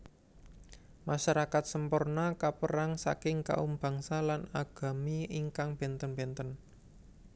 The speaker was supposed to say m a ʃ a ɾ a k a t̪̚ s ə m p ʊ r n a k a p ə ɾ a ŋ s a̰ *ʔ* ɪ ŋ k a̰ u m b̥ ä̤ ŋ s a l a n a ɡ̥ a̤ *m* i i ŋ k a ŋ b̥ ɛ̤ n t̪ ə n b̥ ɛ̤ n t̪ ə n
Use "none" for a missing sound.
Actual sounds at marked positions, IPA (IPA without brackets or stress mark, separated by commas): k, m